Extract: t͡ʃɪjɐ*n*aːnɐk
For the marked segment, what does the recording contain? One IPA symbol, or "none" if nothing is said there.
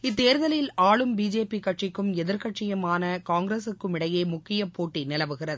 m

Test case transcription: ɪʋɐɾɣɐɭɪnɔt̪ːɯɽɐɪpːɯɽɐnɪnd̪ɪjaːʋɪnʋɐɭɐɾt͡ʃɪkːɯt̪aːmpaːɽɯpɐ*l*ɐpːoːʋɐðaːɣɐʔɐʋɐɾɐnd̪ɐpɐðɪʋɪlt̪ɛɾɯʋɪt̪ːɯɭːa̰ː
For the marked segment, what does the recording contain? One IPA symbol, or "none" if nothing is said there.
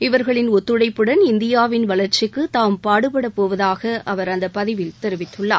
ɽ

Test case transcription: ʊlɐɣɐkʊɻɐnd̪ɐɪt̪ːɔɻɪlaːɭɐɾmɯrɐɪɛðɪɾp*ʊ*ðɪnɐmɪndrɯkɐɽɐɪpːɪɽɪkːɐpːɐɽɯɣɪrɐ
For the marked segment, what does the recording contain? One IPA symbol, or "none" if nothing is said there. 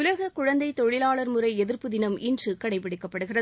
ɯ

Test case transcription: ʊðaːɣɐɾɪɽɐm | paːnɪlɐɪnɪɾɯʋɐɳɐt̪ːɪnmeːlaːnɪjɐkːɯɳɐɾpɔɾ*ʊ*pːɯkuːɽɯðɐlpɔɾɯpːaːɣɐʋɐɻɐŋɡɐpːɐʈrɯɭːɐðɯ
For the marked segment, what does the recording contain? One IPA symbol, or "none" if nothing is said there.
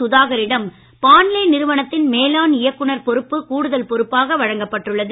ɯ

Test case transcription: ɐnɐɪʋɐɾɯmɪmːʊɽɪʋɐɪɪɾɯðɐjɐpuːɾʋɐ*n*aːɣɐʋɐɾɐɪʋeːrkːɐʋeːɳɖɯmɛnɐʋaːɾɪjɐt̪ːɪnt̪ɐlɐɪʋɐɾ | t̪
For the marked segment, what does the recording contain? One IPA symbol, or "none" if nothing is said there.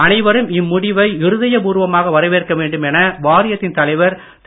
m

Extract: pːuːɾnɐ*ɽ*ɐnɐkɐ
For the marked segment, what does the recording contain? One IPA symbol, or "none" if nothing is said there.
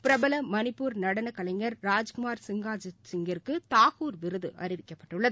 ɽ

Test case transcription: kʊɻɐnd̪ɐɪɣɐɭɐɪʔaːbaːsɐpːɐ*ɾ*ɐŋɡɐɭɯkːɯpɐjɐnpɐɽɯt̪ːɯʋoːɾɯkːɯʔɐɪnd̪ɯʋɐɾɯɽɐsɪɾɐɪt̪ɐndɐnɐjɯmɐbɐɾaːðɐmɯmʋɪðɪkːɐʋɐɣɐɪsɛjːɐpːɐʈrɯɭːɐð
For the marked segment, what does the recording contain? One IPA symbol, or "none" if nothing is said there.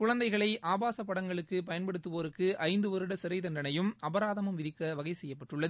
ɽ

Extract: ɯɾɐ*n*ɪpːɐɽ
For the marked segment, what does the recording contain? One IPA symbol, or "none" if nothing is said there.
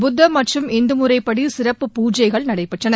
none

